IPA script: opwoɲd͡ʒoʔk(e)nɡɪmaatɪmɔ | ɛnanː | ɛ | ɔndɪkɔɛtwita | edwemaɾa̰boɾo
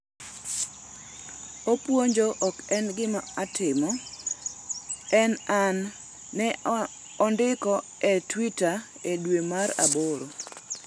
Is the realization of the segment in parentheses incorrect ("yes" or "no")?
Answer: yes